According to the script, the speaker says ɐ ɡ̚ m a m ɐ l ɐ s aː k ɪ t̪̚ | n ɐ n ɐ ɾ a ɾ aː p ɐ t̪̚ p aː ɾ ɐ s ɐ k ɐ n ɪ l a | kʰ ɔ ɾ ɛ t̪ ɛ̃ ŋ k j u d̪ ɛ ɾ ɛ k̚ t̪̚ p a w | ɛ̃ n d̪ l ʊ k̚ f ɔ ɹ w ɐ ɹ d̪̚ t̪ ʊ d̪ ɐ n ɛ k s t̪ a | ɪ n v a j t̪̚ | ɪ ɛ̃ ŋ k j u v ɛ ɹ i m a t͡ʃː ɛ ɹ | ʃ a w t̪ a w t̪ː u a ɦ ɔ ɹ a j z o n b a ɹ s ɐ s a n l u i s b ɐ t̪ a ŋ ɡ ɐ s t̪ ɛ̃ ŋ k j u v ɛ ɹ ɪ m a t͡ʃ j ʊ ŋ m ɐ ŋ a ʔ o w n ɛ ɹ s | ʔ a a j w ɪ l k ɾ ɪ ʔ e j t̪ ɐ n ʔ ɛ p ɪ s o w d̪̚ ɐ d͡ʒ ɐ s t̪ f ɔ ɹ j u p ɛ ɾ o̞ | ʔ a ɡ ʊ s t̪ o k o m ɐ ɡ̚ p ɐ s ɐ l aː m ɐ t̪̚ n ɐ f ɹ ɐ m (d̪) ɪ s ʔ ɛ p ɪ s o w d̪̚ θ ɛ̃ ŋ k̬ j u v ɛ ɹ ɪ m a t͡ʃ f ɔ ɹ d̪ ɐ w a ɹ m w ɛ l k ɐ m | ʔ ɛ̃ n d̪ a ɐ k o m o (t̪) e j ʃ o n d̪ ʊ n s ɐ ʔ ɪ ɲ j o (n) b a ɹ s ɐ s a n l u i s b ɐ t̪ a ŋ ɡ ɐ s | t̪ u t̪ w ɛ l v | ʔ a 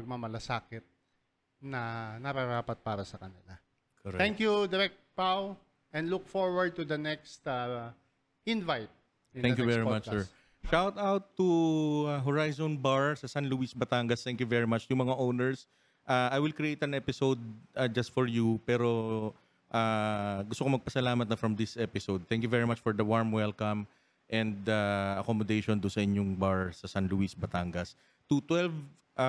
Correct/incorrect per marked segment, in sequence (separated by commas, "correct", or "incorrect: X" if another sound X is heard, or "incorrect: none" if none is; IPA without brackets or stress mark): correct, incorrect: d̪, incorrect: ŋ